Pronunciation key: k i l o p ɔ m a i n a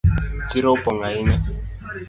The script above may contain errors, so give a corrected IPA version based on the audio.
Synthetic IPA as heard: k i ɾ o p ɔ ŋ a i n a